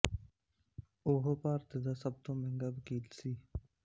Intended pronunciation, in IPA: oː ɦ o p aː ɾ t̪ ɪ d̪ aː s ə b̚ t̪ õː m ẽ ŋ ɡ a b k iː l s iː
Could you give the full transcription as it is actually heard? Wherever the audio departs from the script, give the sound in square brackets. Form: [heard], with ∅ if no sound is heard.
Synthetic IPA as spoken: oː ɦ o p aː ɾ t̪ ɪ d̪ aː s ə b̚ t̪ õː m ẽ ŋ ɡ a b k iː l s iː